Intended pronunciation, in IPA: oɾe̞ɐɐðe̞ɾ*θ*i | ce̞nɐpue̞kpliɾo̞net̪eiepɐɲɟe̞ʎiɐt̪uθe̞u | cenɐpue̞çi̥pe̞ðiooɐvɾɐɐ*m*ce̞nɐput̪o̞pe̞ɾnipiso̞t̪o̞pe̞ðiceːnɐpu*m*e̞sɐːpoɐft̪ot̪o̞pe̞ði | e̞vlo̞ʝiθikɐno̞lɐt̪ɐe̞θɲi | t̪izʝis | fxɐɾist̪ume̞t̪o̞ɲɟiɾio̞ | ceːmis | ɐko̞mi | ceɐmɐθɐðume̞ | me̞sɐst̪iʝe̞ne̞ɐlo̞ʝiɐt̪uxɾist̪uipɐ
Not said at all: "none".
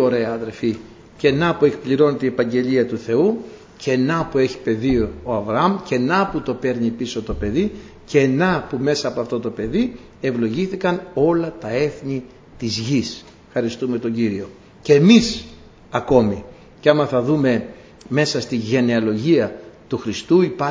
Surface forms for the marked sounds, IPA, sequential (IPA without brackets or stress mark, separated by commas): f, m, m